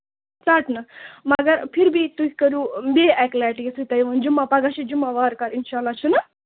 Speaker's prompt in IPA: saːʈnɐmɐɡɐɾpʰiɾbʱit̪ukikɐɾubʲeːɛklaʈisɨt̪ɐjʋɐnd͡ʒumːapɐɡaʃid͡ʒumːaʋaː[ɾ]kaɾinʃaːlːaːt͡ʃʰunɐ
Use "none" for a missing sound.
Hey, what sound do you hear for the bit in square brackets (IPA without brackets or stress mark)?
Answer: ɾ